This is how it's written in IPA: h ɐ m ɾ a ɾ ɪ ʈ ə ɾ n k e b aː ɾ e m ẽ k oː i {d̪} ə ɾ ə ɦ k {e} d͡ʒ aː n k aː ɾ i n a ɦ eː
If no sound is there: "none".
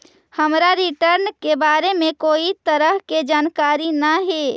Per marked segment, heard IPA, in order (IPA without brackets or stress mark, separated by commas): t̪, e